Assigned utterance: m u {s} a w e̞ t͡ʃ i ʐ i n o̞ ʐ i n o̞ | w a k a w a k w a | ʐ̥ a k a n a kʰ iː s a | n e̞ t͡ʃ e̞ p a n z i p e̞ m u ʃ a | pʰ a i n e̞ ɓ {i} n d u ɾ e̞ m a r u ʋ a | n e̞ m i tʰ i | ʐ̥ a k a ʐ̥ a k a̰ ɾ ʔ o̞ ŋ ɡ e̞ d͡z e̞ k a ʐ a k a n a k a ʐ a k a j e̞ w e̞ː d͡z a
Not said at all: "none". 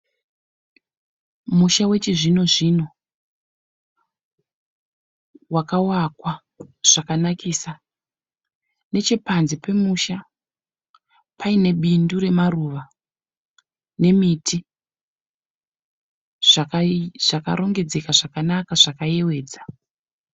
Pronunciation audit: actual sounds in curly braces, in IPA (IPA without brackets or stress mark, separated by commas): ʃ, i